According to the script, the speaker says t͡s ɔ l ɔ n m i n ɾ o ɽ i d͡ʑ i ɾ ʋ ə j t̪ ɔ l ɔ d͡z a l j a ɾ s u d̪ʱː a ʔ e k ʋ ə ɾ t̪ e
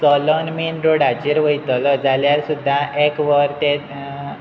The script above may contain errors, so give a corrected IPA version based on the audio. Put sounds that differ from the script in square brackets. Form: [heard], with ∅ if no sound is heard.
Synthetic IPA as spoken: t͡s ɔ l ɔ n m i n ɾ o ɽ [a] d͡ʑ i ɾ ʋ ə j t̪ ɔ l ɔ d͡z a l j a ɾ s u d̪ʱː a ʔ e k ʋ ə ɾ t̪ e